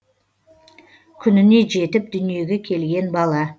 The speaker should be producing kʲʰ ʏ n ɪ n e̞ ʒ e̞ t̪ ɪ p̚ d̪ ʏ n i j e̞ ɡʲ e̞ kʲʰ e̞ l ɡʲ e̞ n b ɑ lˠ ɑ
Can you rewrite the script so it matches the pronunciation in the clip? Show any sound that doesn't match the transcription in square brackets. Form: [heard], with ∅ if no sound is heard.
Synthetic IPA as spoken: kʲʰ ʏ n ɪ n e̞ ʒ e̞ t̪ ɪ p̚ d̪ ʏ n i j e̞ ɡʲ e̞ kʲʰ e̞ l ɡʲ e̞ n b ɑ lˠ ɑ